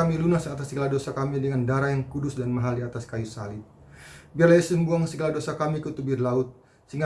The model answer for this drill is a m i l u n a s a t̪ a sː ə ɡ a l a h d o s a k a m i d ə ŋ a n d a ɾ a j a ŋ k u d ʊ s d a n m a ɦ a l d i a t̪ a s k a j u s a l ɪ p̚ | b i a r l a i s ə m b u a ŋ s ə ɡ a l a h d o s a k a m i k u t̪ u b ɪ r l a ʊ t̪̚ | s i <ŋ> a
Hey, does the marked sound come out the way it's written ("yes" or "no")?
yes